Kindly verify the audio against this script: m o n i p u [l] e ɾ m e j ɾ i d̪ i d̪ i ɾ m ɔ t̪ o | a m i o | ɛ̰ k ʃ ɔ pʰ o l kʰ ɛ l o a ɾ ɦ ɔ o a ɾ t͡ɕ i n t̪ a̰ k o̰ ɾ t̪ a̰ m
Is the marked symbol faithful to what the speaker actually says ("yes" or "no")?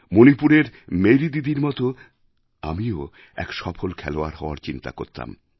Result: no